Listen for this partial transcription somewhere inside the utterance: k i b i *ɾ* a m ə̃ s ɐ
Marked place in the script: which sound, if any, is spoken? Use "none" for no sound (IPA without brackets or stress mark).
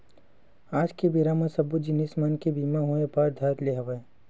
ɾ